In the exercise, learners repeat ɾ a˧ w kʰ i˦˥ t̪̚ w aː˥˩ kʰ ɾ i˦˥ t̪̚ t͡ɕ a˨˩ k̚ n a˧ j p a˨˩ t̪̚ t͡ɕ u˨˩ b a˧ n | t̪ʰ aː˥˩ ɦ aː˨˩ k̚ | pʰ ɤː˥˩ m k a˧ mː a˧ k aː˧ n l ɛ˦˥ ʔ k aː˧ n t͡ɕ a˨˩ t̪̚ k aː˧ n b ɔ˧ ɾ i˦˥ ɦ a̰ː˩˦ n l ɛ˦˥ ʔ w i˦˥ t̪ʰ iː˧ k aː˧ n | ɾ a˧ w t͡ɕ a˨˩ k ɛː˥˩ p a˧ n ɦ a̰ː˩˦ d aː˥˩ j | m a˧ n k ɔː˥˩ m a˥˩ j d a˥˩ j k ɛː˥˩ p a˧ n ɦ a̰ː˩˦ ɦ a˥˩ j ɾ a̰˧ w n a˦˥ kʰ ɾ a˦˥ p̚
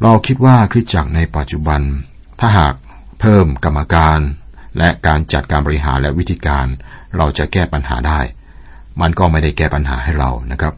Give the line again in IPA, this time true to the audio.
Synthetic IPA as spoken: ɾ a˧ w kʰ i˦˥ t̪̚ w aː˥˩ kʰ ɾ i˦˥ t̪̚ t͡ɕ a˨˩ k̚ n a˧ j p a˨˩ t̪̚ t͡ɕ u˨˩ b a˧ n | t̪ʰ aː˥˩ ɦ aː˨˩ k̚ | pʰ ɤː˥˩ m k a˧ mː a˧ k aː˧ n l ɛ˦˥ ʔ k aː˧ n t͡ɕ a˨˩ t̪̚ k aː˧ n b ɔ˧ ɾ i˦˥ ɦ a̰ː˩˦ n l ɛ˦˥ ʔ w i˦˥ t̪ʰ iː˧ k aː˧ n | ɾ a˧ w t͡ɕ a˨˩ k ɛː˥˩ p a˧ n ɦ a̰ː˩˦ d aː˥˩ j | m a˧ n k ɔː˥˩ m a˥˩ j d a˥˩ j k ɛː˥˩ p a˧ n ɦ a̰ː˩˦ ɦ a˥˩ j ɾ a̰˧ w n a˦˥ kʰ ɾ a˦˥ p̚